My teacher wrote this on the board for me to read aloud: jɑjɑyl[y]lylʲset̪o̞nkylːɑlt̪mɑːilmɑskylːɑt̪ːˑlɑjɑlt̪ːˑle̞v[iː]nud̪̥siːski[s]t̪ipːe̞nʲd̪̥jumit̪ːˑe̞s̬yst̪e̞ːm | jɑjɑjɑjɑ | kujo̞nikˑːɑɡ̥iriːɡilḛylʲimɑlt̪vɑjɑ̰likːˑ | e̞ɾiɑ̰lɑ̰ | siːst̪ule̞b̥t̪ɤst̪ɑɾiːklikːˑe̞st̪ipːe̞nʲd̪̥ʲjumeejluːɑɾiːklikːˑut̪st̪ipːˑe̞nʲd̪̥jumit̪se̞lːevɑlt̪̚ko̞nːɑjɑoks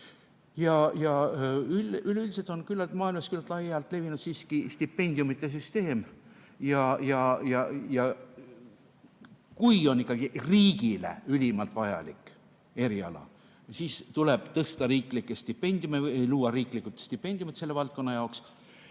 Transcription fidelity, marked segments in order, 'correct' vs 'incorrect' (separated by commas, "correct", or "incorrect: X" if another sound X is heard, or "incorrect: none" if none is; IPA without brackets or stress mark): correct, incorrect: i, correct